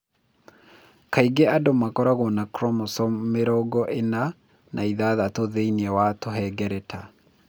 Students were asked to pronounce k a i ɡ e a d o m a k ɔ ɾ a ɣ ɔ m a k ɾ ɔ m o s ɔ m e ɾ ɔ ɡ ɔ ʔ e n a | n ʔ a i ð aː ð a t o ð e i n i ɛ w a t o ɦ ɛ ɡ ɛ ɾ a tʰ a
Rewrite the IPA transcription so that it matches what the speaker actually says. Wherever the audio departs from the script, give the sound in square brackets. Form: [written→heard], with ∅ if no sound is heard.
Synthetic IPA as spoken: k a i ɡ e a d o m a k ɔ ɾ a ɣ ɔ [m→n] a k ɾ ɔ m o s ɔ m e ɾ ɔ ɡ ɔ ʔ e n a | n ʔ a i ð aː ð a t o ð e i n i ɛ w a t o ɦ ɛ ɡ ɛ ɾ [a→ɛ] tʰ a